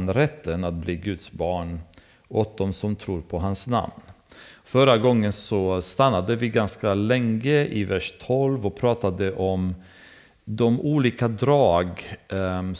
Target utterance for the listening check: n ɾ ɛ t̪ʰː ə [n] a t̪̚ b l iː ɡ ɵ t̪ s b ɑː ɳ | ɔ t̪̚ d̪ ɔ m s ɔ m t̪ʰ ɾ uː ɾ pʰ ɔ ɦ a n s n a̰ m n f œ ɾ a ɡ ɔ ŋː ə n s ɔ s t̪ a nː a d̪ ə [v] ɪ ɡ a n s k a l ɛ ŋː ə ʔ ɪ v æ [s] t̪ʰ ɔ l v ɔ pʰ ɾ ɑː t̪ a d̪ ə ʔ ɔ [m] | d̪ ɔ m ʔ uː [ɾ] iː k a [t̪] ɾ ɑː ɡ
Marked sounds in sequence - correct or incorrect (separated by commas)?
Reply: correct, correct, incorrect, correct, incorrect, incorrect